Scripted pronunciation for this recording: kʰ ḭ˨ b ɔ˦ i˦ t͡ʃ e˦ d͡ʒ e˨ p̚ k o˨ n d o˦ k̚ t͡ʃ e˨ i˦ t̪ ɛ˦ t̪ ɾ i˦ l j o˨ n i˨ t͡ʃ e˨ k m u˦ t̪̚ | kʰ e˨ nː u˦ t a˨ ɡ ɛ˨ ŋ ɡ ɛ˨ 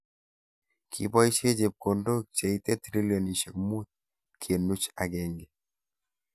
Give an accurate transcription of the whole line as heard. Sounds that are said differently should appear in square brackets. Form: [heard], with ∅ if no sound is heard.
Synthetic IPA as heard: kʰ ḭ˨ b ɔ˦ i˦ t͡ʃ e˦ d͡ʒ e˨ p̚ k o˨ n d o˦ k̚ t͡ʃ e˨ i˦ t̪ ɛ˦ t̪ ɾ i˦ l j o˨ n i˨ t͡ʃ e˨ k m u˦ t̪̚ | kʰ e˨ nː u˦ [t͡ʃ] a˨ ɡ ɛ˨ ŋ ɡ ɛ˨